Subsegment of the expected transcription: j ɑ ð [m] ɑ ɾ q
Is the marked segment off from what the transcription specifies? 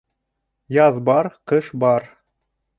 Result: yes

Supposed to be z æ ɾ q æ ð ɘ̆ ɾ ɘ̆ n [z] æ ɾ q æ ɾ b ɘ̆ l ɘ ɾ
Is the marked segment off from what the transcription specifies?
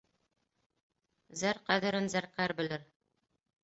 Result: no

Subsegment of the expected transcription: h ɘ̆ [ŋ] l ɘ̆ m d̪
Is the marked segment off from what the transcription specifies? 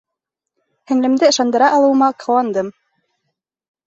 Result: no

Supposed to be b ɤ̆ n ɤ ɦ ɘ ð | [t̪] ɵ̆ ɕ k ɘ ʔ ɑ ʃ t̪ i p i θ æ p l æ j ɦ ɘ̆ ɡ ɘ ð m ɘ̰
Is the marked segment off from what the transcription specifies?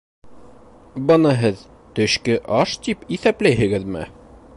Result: no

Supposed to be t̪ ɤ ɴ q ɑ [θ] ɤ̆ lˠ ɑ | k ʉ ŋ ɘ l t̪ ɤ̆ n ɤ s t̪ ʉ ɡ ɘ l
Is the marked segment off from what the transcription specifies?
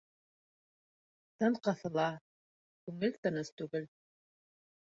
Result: no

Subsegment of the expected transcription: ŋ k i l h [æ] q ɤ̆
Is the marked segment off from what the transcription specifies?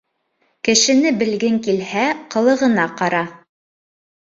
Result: no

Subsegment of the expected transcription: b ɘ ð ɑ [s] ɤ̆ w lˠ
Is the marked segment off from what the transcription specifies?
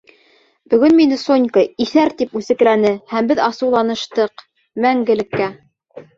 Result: no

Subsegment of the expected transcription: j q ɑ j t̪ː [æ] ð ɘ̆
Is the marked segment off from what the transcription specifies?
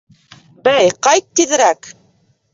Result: yes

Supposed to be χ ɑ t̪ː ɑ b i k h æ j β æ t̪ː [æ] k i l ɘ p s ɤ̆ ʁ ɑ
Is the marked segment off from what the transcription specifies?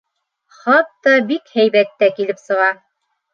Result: no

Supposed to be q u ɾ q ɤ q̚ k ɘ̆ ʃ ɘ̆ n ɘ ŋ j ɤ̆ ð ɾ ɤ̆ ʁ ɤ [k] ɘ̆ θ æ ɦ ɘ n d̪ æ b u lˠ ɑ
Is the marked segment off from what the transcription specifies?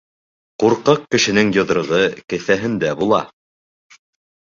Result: no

